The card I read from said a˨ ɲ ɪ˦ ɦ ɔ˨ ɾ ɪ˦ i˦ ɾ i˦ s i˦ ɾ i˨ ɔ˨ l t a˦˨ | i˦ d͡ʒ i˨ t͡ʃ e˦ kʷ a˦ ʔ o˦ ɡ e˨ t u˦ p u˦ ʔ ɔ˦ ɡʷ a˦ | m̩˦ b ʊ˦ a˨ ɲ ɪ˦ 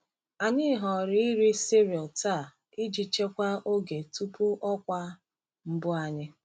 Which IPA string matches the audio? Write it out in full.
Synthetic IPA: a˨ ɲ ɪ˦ ɦ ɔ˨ ɾ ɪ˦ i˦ ɾ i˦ s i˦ ɾ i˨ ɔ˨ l t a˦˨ | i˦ d͡ʒ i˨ t͡ʃ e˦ kʷ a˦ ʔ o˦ ɡ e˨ t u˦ p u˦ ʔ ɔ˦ kʷ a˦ | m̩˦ b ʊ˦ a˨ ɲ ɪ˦